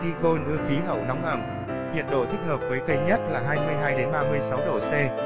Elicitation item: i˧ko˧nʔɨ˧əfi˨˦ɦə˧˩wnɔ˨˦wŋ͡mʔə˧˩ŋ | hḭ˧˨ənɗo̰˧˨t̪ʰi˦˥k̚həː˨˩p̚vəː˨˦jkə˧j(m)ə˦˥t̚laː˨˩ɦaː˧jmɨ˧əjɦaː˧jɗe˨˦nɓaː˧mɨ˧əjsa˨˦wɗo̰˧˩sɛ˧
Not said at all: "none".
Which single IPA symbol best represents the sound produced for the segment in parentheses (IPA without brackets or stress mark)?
ɲ